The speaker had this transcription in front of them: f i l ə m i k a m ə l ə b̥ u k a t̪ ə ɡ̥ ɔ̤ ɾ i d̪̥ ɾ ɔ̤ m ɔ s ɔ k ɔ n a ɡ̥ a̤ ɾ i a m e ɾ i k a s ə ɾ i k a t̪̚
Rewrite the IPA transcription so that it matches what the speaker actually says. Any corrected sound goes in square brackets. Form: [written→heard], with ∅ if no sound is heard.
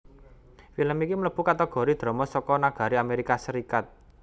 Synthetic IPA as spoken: f i l ə m i k [a→i] m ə l ə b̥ u k a t̪ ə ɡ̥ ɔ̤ ɾ i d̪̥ ɾ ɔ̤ m ɔ s ɔ k ɔ n a ɡ̥ a̤ ɾ i a m e ɾ i k a s ə ɾ i k a t̪̚

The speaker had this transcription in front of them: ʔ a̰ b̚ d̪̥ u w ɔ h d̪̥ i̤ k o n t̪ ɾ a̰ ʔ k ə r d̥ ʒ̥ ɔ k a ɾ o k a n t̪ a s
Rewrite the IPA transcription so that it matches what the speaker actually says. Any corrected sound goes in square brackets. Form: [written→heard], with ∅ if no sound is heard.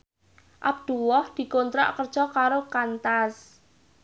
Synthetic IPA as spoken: ʔ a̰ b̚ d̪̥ u w ɔ h d̪̥ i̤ k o n t̪ ɾ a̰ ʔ k ə r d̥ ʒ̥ ɔ k a ɾ o k a n t̪ a s

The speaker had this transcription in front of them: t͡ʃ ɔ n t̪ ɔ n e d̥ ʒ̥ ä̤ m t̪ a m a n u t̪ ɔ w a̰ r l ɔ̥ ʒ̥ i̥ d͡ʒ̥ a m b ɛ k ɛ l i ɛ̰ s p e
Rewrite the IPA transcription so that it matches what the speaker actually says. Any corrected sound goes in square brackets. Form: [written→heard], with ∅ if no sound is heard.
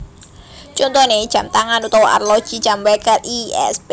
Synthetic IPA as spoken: t͡ʃ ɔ n t̪ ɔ n e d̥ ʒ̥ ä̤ m t̪ a [m→ŋ] a n u t̪ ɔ w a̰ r l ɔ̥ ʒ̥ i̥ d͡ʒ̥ a m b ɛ k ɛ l i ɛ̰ s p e

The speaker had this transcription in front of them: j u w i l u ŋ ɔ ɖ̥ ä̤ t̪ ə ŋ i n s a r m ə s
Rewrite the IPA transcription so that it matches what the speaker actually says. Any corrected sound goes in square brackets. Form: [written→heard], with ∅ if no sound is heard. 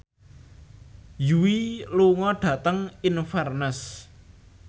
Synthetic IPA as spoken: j u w i l u ŋ ɔ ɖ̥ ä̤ t̪ ə ŋ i n [s→f] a r [m→n] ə s

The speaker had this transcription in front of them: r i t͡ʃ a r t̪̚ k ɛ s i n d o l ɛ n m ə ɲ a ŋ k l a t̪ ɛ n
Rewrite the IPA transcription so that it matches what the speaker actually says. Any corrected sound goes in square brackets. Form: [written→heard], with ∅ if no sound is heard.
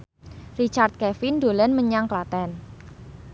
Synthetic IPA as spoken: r i t͡ʃ a r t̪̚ k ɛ [s→f] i n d o l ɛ n m ə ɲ a ŋ k l a t̪ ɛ n

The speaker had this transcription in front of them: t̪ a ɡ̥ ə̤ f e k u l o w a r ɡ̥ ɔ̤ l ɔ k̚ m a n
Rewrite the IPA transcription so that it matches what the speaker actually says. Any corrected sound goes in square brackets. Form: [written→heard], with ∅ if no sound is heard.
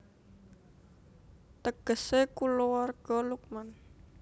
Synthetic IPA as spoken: t̪ [a→ə] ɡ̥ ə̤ [f→s] e k u l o w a r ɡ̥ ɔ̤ l [ɔ→u] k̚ m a n

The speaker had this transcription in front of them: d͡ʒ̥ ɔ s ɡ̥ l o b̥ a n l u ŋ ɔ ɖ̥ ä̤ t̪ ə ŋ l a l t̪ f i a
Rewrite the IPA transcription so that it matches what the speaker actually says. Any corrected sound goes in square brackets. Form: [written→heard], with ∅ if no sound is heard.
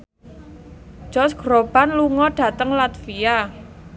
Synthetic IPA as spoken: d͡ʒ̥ ɔ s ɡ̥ [l→ɾ] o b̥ a n l u ŋ ɔ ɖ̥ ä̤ t̪ ə ŋ l a [l→∅] t̪ f i a

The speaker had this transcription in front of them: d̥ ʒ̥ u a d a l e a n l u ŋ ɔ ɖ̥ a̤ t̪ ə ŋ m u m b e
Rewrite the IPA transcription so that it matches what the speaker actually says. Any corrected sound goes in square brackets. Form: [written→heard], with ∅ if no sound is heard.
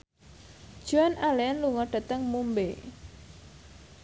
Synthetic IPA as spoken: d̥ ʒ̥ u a [d→n] a l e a n l u ŋ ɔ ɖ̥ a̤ t̪ ə ŋ m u m b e

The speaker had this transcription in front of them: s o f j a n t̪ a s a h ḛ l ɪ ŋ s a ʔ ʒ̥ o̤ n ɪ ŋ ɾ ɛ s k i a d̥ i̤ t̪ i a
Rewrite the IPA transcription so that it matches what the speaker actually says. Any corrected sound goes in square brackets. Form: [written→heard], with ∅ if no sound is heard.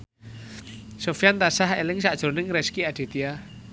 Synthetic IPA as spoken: s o f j a n t̪ a s a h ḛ l ɪ ŋ s a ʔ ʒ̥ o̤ n ɪ ŋ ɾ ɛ s k i a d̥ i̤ t̪ i a

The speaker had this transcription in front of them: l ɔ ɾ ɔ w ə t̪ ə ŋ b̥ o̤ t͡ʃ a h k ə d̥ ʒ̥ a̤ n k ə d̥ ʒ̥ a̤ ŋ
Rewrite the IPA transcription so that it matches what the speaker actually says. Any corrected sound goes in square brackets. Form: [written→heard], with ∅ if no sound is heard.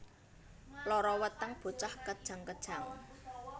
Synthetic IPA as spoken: l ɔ ɾ ɔ w ə t̪ ə ŋ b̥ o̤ t͡ʃ a h k ə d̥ ʒ̥ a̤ [n→ŋ] k ə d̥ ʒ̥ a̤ ŋ

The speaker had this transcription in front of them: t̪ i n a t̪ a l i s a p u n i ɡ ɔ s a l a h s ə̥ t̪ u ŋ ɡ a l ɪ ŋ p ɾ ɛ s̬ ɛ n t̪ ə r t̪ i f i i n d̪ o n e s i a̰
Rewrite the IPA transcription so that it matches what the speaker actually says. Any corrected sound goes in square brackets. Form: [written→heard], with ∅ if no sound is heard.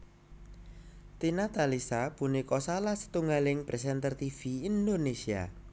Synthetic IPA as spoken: t̪ i n a t̪ a l i s a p u n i [ɡ→k] ɔ s a l a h s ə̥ t̪ u ŋ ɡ a l ɪ ŋ p ɾ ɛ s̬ ɛ n t̪ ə r t̪ i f i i n d̪ o n e s i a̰

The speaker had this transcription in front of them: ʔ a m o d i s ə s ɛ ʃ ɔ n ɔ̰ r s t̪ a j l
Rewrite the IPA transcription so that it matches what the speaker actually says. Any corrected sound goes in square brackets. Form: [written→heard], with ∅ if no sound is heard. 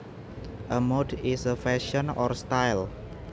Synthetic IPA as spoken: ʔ [a→ə] m o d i s ə [s→f] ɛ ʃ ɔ n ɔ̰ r s t̪ a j l

